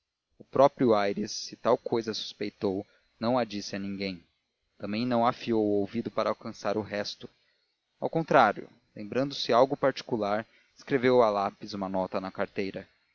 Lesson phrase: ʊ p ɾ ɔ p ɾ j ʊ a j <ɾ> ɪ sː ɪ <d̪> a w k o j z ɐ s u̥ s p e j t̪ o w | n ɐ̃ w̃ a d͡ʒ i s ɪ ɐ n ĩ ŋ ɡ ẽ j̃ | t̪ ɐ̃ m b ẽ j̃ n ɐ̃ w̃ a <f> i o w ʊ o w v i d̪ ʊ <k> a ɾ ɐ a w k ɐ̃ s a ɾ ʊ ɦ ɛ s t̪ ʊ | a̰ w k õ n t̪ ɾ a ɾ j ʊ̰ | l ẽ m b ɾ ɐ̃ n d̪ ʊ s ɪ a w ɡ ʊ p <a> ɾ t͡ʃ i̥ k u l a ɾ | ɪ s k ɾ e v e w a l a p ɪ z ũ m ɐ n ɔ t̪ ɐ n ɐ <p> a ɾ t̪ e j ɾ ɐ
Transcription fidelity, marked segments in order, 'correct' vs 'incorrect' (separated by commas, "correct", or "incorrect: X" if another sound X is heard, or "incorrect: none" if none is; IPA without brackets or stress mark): correct, incorrect: t̪, correct, incorrect: p, correct, incorrect: k